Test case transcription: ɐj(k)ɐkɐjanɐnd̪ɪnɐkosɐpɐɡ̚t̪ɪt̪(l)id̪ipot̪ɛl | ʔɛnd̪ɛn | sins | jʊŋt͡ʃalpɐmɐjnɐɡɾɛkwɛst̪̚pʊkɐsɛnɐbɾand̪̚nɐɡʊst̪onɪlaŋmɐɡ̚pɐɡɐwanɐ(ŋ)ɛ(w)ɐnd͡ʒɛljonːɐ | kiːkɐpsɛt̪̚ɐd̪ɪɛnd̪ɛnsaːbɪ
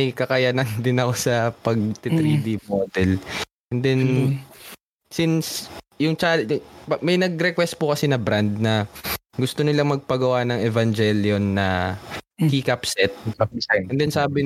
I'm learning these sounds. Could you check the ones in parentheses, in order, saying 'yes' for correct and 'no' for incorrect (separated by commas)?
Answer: yes, no, yes, no